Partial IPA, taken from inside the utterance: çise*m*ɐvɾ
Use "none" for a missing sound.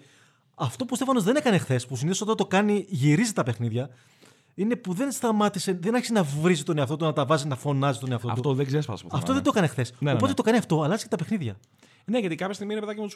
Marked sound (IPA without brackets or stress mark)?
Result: n